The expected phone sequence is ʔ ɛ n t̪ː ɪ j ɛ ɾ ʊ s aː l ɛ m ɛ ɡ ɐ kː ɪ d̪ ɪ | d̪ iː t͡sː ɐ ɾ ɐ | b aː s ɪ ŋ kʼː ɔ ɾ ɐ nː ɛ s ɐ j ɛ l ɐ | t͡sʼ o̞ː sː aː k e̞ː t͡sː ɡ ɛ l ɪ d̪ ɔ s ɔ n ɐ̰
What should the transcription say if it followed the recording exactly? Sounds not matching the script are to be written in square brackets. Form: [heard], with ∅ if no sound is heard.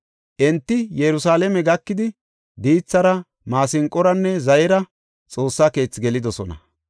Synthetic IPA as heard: ʔ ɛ n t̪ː ɪ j ɛ ɾ ʊ s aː l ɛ m ɛ ɡ ɐ kː ɪ d̪ ɪ | d̪ iː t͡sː ɐ ɾ ɐ | [m] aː s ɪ ŋ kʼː ɔ ɾ ɐ nː ɛ [z] ɐ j ɛ [ɾ] ɐ | t͡sʼ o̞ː sː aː k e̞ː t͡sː ɡ ɛ l ɪ d̪ ɔ s ɔ n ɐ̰